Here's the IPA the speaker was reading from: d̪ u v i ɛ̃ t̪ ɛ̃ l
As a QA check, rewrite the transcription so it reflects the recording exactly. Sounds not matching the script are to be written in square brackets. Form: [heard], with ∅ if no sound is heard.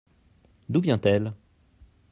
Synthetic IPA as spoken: d̪ u v [j] ɛ̃ t̪ [ɛ] l